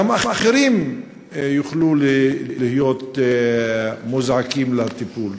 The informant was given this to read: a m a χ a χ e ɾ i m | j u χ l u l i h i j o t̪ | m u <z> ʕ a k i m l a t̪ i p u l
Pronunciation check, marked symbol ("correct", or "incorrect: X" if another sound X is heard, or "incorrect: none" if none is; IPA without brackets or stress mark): correct